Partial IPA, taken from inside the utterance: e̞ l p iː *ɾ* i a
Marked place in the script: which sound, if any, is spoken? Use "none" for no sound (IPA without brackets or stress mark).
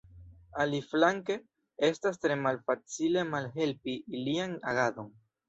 l